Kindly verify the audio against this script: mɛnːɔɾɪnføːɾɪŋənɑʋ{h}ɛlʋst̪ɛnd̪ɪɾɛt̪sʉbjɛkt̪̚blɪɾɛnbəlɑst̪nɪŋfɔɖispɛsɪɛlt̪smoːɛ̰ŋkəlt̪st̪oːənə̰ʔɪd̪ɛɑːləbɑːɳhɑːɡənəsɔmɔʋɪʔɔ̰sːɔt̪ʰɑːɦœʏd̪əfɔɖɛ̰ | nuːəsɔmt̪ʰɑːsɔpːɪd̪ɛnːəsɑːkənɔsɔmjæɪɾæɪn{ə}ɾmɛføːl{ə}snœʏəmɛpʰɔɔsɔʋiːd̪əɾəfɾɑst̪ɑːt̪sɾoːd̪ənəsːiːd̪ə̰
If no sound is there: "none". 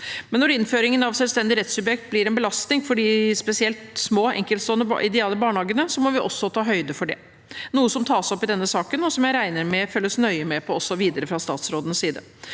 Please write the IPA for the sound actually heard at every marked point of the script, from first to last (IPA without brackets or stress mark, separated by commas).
s, ə, ə